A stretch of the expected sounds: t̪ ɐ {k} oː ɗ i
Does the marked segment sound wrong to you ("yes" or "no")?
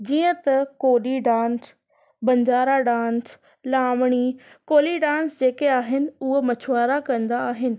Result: no